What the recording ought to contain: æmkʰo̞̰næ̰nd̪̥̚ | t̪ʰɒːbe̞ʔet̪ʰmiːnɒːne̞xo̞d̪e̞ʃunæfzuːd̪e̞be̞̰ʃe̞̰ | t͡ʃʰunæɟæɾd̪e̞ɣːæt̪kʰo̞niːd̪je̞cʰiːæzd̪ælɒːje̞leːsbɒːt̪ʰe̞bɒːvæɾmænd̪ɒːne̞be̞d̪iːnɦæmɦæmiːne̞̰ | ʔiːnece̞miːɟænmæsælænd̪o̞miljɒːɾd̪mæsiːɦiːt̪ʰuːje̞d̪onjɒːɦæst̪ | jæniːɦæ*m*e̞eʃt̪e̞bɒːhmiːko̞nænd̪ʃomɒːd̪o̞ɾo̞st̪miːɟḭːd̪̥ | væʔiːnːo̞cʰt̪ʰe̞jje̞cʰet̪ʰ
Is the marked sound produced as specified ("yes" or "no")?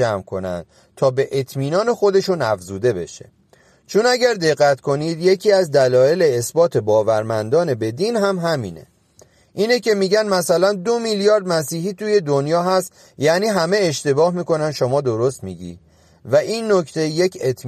yes